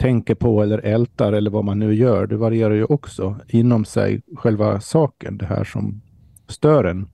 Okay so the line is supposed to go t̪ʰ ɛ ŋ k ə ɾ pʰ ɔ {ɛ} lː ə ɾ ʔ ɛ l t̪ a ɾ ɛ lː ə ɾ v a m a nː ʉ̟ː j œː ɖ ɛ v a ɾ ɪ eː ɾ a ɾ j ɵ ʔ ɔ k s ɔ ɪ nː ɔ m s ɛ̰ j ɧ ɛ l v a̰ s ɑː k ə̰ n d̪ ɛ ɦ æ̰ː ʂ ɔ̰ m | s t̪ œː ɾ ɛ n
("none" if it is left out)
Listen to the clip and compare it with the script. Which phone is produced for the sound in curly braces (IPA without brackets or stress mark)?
ɛ